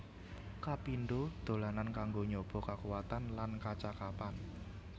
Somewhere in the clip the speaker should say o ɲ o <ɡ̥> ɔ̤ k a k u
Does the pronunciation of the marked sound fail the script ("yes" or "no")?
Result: yes